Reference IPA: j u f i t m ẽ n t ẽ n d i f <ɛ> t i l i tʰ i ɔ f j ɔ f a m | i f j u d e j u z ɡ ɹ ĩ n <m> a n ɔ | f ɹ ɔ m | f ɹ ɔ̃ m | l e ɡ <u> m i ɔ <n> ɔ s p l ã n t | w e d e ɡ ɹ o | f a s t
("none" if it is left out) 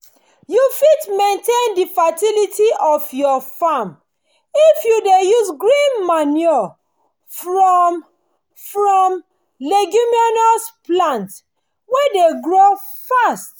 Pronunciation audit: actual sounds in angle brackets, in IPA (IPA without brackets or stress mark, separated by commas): a, m, u, n